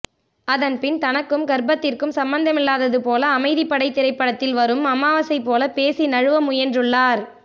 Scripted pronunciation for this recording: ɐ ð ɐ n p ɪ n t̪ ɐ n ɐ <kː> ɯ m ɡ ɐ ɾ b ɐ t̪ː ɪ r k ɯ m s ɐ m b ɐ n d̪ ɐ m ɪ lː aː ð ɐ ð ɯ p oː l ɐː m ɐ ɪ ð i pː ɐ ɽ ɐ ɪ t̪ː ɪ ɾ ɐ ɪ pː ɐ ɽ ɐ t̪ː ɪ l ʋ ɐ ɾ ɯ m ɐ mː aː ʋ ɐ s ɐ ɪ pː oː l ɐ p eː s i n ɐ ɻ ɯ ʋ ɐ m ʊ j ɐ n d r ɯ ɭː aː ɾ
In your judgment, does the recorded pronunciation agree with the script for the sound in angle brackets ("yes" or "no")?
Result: yes